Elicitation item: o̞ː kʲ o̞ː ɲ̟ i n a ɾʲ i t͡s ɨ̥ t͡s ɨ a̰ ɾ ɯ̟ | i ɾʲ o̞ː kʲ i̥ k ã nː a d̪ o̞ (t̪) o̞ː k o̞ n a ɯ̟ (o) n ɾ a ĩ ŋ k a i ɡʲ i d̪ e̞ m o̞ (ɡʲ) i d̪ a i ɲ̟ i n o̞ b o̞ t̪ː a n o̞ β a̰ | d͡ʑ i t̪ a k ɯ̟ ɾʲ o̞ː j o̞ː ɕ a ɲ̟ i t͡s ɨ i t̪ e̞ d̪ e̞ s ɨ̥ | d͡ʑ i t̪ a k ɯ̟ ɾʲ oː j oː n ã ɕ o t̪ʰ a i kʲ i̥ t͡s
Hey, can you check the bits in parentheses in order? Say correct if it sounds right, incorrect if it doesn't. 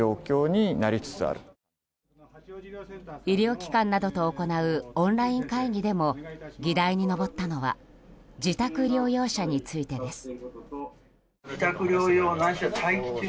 correct, incorrect: õ, correct

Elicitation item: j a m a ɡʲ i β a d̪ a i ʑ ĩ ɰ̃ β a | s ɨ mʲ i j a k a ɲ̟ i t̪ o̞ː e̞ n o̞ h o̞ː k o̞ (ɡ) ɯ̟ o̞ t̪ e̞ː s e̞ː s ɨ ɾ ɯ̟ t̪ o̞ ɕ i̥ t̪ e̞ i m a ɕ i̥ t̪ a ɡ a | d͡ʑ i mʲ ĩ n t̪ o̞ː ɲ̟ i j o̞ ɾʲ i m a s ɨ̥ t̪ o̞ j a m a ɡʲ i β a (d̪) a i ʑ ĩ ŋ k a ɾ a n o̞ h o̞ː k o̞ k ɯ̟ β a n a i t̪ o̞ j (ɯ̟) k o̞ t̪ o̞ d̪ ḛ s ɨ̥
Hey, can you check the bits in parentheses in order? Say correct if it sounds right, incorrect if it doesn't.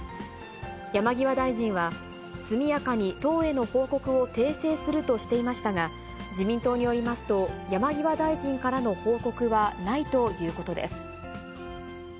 incorrect: k, correct, incorrect: ɯ̟ː

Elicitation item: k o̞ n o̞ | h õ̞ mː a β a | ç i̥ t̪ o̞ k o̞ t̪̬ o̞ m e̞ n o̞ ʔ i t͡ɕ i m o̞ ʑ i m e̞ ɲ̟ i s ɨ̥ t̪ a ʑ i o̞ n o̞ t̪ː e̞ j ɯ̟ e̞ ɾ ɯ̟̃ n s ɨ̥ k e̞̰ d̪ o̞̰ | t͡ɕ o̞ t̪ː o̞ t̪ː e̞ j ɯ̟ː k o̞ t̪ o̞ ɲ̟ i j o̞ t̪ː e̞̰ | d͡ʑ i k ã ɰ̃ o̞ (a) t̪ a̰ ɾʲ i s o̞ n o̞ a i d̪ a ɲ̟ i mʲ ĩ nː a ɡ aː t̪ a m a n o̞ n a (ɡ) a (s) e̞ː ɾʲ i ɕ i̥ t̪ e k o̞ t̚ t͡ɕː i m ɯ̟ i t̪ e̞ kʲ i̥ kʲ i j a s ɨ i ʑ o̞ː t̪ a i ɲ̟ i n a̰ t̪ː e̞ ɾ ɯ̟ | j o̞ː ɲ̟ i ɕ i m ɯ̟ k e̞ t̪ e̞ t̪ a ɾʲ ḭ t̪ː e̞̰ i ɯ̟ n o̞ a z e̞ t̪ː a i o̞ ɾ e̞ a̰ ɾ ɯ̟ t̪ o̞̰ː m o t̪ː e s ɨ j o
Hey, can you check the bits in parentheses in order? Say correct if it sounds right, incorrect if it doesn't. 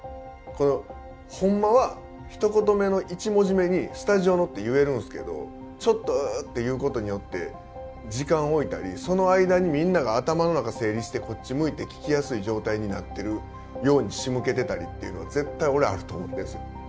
incorrect: i, incorrect: k, correct

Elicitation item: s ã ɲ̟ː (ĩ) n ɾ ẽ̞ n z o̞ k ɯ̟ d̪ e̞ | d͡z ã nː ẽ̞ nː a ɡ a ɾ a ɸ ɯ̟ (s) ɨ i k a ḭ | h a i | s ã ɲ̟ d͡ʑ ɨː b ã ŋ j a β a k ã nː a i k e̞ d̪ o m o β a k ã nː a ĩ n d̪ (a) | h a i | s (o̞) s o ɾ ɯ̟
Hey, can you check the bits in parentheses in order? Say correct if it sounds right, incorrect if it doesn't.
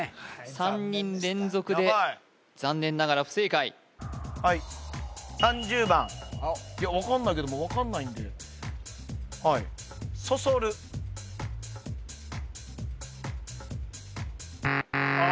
correct, correct, incorrect: e, correct

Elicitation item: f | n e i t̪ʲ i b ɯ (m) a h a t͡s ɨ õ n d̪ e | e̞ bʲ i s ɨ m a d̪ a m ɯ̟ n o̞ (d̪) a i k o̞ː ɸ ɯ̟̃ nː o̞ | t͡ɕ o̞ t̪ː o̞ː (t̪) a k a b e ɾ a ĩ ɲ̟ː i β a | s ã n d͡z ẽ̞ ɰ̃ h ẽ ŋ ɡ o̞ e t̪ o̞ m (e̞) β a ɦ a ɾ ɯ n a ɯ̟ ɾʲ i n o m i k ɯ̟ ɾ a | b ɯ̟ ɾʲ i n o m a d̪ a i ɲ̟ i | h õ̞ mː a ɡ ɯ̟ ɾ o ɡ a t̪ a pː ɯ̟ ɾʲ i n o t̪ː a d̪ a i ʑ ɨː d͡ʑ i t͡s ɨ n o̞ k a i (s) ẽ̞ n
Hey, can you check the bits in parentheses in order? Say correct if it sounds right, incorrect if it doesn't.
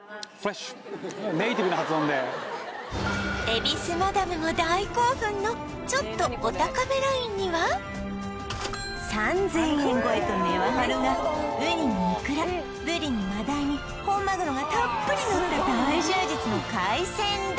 incorrect: n, correct, correct, correct, correct

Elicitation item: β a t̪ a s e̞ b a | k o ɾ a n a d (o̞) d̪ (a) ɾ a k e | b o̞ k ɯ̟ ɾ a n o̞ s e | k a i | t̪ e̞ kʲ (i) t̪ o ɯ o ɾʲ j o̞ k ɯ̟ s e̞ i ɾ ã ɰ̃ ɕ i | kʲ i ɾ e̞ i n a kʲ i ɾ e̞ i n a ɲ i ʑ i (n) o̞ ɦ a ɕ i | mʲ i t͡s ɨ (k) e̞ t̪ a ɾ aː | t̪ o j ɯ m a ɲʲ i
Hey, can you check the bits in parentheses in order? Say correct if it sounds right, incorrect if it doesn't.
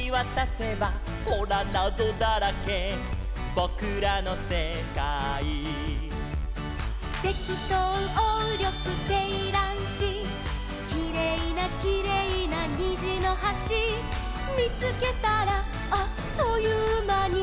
correct, correct, correct, correct, correct

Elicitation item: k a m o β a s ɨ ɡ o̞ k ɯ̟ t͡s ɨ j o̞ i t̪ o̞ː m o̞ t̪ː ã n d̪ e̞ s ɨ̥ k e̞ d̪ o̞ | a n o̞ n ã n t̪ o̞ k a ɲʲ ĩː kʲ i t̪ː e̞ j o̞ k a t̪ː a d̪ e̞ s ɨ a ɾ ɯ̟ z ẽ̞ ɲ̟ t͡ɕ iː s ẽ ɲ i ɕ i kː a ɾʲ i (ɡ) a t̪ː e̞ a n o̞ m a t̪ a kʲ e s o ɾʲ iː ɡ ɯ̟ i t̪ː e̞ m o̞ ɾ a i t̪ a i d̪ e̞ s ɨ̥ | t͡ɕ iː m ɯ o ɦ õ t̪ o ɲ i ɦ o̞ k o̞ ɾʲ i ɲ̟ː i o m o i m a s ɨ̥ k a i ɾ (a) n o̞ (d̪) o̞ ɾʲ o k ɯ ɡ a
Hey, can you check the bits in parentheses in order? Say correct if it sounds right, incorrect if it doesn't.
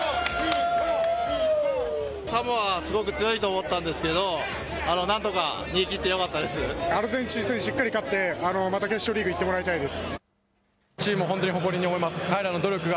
incorrect: k, correct, correct

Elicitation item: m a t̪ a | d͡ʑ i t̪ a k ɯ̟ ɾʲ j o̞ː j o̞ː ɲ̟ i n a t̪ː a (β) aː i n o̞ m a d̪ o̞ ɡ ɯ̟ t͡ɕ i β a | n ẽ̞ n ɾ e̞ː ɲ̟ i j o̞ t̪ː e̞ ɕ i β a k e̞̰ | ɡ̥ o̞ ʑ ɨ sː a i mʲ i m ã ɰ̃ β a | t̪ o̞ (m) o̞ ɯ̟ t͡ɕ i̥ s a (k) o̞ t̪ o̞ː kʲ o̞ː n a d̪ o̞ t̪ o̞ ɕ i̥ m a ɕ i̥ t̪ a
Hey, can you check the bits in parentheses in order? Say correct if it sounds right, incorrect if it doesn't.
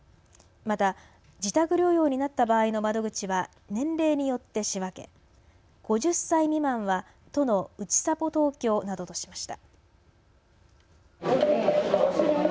incorrect: b, incorrect: n, incorrect: p

